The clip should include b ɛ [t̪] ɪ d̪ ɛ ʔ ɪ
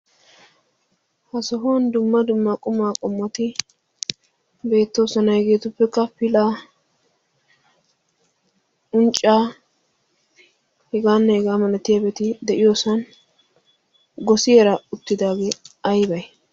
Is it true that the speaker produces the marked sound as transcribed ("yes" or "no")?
yes